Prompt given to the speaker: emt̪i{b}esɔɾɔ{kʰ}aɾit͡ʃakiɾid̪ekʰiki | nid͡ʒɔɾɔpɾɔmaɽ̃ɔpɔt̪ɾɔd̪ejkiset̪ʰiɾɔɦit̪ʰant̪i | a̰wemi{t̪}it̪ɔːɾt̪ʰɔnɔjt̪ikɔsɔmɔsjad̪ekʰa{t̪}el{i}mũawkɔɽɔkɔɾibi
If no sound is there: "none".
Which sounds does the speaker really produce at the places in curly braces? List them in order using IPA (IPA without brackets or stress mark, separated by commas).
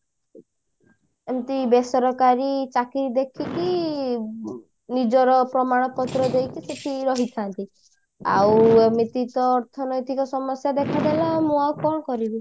b, k, t̪, d̪, a